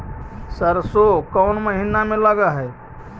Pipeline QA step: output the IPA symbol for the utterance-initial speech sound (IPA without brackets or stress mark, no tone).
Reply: s